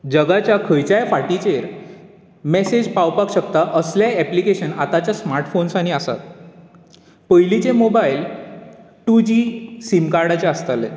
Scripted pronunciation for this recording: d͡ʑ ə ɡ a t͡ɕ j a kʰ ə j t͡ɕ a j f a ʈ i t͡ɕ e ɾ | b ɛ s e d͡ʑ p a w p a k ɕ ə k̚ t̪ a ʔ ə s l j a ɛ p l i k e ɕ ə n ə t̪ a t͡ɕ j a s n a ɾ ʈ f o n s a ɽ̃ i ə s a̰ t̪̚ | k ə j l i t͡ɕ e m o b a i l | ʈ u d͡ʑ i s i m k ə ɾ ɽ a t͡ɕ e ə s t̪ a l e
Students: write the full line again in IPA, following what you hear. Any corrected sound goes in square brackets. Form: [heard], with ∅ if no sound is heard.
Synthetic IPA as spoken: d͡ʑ ə ɡ a t͡ɕ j a kʰ ə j t͡ɕ a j f a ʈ i t͡ɕ e ɾ | [m] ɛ s e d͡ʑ p a w p a k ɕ ə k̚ t̪ a ʔ ə s l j a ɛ p l i k e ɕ ə n [a] t̪ a t͡ɕ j a s [m] a ɾ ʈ f o n s a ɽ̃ i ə s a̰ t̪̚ | [p] ə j l i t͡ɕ e m o b a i l | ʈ u d͡ʑ i s i m k [a] ɾ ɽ a t͡ɕ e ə s t̪ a l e